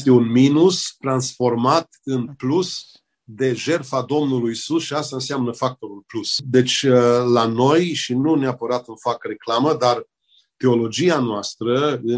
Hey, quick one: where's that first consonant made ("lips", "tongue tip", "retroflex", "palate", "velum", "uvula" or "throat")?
tongue tip